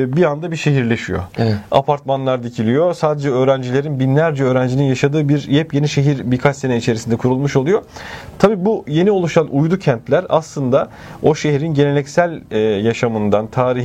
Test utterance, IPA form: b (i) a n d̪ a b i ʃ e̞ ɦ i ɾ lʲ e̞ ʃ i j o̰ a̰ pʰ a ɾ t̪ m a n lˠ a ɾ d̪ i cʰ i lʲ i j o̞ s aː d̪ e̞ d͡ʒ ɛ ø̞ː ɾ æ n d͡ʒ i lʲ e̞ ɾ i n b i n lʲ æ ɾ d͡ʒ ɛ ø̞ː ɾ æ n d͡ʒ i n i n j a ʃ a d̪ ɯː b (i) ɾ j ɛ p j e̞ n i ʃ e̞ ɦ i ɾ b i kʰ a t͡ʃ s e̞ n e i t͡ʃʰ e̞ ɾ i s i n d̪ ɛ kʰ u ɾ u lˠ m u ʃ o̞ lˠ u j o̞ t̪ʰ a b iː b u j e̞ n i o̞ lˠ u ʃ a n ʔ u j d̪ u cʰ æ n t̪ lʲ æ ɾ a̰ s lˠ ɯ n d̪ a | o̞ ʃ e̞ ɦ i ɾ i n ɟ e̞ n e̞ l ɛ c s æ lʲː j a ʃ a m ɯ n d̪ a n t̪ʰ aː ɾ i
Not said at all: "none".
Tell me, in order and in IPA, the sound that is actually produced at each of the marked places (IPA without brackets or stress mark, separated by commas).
i, i